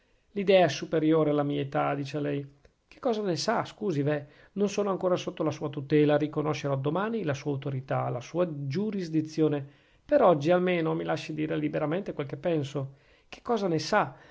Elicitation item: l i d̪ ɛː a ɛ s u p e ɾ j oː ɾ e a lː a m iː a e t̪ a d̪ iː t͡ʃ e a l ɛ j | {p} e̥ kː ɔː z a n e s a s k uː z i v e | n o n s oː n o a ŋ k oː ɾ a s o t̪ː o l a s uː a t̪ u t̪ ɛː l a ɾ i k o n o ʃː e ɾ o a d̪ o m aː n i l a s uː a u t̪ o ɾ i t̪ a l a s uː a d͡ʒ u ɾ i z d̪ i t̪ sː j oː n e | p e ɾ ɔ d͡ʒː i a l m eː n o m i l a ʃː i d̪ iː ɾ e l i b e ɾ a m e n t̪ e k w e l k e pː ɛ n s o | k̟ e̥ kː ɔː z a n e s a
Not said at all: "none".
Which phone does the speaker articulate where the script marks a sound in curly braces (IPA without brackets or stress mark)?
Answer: k